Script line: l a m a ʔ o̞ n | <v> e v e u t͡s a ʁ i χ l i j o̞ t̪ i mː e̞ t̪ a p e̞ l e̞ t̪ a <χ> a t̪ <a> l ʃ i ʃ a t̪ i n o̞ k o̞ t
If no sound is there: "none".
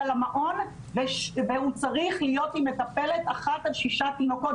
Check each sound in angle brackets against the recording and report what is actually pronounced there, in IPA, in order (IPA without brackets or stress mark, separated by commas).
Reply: v, χ, a